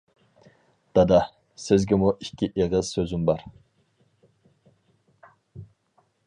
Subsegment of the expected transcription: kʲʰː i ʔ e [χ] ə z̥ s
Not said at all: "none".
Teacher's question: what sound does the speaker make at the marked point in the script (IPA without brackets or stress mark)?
ʁ